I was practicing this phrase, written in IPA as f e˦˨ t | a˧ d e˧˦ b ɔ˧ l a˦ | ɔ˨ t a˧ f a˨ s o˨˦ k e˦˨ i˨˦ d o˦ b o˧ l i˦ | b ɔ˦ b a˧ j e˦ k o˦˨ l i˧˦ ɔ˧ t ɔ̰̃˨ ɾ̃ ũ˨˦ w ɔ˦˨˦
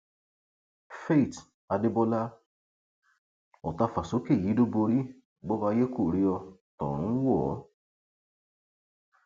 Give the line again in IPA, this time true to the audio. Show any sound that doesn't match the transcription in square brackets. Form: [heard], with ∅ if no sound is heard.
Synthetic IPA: f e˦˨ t | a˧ d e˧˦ b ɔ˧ l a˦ | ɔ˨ t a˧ f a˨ s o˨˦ k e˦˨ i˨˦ d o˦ b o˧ [ɾ] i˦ | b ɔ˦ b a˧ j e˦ k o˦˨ [ɾ] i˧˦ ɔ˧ t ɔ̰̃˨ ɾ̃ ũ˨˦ w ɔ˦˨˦